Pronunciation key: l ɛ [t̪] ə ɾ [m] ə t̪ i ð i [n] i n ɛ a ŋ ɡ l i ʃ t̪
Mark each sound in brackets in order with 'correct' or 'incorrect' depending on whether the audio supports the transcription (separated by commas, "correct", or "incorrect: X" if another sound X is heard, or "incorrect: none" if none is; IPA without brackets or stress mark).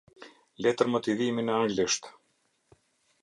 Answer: correct, correct, incorrect: m